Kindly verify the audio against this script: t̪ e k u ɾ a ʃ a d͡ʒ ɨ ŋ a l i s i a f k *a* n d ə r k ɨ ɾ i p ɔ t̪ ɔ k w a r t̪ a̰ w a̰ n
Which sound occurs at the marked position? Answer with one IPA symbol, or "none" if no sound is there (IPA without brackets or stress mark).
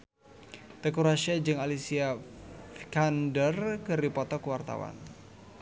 a